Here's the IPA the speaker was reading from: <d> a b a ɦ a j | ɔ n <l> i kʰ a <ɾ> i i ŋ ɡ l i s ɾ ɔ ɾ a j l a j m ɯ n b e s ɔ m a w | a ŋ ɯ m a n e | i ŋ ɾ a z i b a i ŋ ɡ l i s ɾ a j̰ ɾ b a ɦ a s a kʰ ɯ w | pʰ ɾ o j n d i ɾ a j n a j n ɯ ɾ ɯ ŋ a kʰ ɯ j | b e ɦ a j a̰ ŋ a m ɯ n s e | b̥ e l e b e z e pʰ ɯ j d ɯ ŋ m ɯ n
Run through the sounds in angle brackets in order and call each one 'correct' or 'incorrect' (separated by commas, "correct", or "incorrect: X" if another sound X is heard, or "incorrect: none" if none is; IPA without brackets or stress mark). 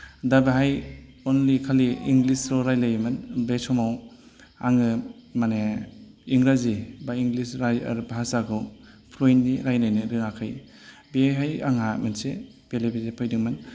correct, correct, incorrect: l